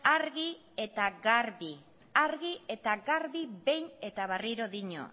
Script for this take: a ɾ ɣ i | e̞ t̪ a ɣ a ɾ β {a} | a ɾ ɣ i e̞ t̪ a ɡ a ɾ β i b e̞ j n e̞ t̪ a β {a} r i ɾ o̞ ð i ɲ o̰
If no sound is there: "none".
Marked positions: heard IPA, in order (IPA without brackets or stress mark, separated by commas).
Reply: i, a